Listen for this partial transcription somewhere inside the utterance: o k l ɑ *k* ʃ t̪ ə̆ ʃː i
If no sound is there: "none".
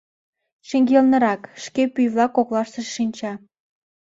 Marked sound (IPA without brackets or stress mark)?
none